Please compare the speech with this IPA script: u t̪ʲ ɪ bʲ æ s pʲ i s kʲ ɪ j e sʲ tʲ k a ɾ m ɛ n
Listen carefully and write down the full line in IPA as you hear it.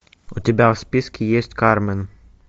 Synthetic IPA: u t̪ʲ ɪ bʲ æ s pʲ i s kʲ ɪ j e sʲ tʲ k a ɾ m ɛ n